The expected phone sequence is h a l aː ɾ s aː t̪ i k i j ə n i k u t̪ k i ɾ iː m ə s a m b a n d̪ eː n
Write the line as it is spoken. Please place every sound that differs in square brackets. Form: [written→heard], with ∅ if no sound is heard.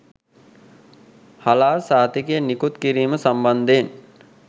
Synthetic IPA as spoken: h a l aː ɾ s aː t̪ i k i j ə n i k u t̪ k i ɾ iː m ə s a m b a n d̪ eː n